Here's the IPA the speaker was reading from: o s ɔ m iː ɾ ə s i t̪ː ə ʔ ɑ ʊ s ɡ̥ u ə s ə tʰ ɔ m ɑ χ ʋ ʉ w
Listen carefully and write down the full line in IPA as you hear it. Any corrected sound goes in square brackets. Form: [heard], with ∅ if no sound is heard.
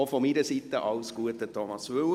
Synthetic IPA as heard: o [f] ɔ m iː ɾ ə s i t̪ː ə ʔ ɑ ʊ s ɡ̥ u ə [t] ə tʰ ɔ m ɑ [s] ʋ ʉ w